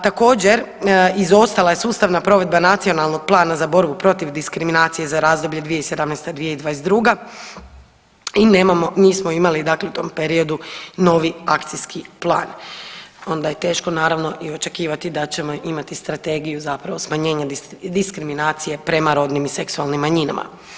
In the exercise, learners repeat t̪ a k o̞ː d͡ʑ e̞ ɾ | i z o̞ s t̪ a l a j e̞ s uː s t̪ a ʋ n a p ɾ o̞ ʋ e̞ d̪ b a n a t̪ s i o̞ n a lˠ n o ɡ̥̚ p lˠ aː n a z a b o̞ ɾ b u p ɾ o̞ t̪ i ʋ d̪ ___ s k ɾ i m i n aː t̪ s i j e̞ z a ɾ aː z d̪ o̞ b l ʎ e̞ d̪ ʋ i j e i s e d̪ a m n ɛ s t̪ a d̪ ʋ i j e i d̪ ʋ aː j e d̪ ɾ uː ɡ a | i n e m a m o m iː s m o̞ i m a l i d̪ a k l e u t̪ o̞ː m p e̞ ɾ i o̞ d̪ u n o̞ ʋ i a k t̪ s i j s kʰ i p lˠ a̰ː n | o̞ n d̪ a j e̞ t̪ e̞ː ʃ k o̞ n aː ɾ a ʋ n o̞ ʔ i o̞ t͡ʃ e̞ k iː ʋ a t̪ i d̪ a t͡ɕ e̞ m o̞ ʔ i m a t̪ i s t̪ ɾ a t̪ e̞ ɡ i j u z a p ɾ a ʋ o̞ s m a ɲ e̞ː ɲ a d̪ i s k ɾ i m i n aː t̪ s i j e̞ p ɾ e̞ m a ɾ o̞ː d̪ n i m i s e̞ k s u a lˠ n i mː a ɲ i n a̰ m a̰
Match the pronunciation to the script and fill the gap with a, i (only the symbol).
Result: i